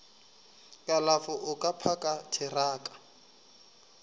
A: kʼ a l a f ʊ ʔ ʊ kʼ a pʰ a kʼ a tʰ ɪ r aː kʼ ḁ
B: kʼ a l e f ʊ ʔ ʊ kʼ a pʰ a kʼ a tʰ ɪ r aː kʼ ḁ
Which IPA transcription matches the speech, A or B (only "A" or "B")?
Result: A